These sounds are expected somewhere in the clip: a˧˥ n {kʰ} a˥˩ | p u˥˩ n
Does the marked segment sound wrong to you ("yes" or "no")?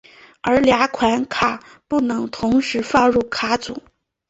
no